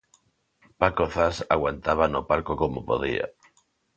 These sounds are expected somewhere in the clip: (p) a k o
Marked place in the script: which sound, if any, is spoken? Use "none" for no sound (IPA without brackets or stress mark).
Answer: p